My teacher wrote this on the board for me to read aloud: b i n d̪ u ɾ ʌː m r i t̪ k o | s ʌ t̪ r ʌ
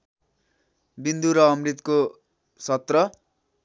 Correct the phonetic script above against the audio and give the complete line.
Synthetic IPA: b i n d̪ u ɾ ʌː m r i t̪ k o | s ʌ t̪ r ʌ